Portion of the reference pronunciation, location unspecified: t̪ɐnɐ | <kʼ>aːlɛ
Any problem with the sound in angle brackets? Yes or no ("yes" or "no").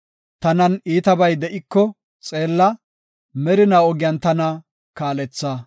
yes